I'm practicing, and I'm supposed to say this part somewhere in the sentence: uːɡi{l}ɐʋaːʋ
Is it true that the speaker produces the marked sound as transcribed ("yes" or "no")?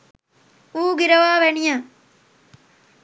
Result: no